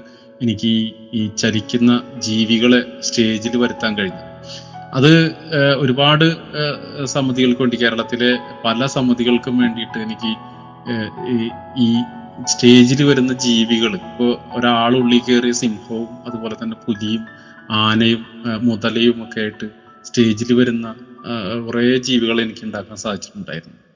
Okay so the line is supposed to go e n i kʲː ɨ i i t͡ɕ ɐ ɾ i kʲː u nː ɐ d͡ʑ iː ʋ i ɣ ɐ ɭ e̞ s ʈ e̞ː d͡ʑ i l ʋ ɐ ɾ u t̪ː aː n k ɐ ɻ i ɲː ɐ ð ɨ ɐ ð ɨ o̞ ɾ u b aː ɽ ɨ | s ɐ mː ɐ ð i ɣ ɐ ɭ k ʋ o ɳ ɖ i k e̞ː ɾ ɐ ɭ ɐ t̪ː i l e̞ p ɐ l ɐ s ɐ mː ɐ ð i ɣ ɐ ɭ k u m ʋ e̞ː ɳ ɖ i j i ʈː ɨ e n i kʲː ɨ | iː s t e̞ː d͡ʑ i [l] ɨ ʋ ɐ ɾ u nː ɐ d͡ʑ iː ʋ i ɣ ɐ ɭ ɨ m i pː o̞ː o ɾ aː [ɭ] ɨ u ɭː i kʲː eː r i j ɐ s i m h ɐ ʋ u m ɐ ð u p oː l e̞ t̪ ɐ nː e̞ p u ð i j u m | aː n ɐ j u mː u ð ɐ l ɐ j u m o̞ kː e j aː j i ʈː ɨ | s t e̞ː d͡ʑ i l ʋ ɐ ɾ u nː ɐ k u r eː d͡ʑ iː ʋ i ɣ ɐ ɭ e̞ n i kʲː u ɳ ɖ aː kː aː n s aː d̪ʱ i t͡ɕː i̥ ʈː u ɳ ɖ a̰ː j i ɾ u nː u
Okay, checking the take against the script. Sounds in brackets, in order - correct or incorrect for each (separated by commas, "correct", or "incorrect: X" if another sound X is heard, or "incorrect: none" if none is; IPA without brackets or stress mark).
correct, correct